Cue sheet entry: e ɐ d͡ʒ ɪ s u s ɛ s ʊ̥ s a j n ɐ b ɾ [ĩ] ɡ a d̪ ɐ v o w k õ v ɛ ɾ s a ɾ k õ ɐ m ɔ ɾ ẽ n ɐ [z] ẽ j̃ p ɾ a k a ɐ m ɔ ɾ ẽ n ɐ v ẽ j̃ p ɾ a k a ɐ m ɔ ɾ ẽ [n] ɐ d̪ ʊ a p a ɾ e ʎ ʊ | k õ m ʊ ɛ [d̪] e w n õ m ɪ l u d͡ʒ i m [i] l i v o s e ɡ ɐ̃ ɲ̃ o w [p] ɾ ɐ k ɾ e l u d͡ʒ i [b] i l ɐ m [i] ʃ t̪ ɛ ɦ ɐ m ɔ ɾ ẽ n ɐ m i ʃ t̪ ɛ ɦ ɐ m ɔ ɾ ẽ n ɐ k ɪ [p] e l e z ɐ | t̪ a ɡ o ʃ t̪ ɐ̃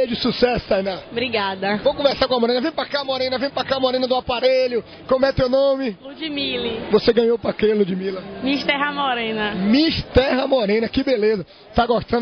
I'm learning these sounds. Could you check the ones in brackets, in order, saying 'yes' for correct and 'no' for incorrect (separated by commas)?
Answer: no, no, yes, no, yes, yes, no, yes, no